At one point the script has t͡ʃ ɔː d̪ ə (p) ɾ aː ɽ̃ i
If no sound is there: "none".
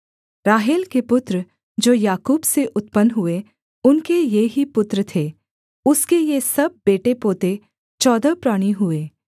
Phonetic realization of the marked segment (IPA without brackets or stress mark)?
p